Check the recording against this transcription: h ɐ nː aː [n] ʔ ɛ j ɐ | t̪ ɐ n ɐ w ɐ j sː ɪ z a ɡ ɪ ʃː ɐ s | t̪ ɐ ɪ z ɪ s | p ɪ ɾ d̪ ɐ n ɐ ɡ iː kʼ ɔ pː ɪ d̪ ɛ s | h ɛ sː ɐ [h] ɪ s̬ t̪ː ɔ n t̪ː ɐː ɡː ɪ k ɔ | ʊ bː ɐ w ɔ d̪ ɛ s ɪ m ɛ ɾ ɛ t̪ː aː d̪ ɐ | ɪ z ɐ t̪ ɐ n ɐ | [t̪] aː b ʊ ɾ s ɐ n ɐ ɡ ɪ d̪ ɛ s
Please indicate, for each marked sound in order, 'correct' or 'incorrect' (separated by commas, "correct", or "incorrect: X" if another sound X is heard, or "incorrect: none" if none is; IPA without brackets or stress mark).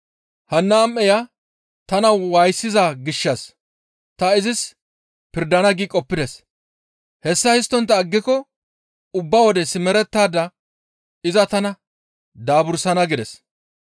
incorrect: m, correct, incorrect: d̪